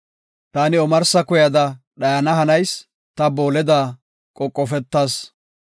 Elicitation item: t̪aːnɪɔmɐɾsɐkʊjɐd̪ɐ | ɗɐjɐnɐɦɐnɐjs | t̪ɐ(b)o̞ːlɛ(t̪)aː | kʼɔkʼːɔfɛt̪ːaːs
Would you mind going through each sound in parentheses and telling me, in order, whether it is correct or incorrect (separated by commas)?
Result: correct, incorrect